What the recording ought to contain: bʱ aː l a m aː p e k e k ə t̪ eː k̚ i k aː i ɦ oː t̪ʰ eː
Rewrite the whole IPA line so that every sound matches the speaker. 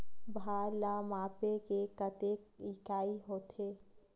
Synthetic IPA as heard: bʱ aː l a m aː p e k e k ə t̪ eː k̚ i k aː i ɦ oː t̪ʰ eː